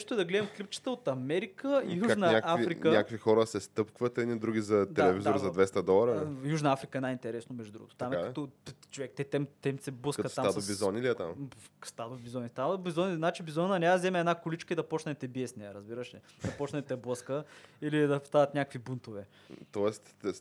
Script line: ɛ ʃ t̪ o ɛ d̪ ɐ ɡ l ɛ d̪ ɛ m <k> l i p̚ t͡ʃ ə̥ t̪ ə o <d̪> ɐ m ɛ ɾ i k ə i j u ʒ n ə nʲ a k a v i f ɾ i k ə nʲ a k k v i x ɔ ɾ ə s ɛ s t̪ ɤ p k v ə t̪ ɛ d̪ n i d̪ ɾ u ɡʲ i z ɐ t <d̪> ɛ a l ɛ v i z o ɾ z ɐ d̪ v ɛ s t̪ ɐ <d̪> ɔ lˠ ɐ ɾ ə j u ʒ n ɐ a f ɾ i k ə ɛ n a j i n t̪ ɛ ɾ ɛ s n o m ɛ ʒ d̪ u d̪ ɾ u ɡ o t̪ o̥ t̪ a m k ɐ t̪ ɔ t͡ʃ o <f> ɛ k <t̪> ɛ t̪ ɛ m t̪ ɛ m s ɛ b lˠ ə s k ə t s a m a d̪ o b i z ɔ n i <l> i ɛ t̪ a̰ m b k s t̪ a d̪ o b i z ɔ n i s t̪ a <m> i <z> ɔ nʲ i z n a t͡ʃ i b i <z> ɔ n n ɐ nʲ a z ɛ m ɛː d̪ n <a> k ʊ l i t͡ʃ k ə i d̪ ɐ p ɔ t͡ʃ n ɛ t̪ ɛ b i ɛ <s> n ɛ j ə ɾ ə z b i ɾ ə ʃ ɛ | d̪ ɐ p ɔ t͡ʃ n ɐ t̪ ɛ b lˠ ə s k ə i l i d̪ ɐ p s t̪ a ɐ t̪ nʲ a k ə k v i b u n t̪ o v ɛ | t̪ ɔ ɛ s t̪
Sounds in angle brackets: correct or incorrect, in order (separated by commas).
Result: correct, incorrect, correct, correct, incorrect, correct, correct, incorrect, correct, correct, correct, correct